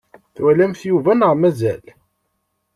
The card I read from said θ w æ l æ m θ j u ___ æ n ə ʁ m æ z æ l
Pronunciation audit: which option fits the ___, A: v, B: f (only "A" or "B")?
A